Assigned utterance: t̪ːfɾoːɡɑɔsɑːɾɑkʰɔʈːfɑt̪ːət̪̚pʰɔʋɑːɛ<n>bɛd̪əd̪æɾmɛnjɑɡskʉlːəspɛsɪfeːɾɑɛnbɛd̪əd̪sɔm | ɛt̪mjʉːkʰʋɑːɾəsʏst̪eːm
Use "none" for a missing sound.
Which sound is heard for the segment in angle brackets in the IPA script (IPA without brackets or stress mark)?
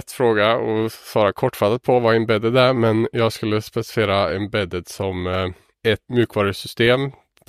n